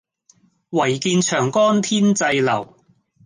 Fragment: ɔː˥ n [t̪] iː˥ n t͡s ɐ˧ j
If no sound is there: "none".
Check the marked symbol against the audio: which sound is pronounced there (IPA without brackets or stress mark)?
t̪ʰ